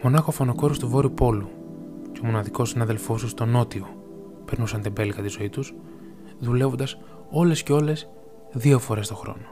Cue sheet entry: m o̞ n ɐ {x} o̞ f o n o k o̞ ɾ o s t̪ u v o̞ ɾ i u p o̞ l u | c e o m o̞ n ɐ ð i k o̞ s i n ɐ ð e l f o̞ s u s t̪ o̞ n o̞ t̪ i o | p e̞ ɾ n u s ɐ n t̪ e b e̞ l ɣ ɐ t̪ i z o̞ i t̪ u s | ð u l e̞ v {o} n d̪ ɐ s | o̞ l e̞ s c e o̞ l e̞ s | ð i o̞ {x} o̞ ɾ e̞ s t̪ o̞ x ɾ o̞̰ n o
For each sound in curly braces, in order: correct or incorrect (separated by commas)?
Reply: correct, correct, incorrect